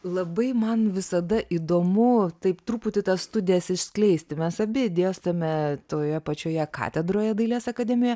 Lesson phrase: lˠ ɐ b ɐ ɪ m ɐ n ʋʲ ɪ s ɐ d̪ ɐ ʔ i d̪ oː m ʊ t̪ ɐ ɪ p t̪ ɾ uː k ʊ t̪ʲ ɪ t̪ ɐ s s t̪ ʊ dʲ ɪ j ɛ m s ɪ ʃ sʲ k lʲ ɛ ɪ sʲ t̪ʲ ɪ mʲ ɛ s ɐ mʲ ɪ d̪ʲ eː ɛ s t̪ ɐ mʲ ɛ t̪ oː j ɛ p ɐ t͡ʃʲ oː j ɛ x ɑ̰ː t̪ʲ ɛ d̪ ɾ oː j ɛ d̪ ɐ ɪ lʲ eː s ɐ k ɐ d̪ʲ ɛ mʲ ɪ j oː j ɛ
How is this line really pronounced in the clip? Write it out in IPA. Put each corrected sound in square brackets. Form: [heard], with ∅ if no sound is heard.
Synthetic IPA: lˠ ɐ b ɐ ɪ m ɐ n ʋʲ ɪ s ɐ d̪ ɐ ʔ i d̪ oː m ʊ t̪ ɐ ɪ p t̪ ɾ uː [p] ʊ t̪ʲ ɪ t̪ ɐ s s t̪ ʊ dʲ ɪ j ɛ [∅] s ɪ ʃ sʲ k lʲ ɛ ɪ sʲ t̪ʲ ɪ mʲ ɛ s ɐ [bʲ] ɪ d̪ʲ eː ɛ s t̪ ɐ mʲ ɛ t̪ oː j ɛ p ɐ t͡ʃʲ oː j ɛ [k] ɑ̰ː t̪ʲ ɛ d̪ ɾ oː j ɛ d̪ ɐ ɪ lʲ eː s ɐ k ɐ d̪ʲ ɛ mʲ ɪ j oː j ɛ